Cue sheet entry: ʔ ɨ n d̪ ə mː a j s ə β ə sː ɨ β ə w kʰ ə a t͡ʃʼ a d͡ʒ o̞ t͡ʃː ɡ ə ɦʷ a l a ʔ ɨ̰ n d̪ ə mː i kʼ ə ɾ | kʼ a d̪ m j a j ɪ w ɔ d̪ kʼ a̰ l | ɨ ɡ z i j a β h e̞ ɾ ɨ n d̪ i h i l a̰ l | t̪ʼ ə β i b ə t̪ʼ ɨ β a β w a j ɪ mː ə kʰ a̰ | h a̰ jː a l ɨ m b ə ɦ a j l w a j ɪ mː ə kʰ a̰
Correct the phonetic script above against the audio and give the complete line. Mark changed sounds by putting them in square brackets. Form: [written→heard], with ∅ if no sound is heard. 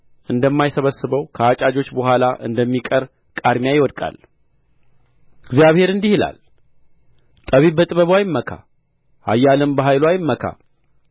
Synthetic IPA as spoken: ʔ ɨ n d̪ ə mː a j s ə β ə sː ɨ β ə w kʰ ə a t͡ʃʼ a d͡ʒ o̞ t͡ʃː [ɡ→b] ə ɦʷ a l a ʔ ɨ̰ n d̪ ə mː i kʼ ə ɾ | kʼ a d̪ m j a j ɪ w ɔ d̪ kʼ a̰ l | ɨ ɡ z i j a β h e̞ ɾ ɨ n d̪ i h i l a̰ l | t̪ʼ ə β i b ə t̪ʼ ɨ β [a→ə] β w a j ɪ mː ə kʰ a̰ | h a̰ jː a l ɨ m b ə ɦ a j l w a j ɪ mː ə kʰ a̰